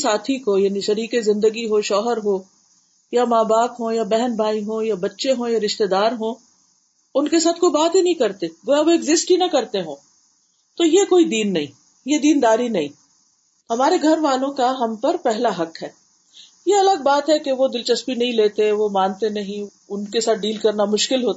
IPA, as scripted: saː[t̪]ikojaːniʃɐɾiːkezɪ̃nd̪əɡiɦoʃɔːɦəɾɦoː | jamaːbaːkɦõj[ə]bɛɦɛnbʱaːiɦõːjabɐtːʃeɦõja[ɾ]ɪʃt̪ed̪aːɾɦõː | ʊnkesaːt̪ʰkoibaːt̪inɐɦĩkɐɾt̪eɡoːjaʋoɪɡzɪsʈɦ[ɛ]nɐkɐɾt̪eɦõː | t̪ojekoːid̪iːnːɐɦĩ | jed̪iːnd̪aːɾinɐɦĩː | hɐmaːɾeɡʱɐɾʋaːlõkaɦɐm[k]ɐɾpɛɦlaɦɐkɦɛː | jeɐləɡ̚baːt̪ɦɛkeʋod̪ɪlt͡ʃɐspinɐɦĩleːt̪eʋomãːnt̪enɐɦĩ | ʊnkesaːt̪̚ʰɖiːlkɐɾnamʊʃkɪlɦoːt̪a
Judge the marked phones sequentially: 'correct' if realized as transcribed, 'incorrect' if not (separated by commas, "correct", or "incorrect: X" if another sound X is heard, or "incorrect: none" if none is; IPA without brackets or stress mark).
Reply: incorrect: t̪ʰ, incorrect: a, correct, incorrect: i, incorrect: p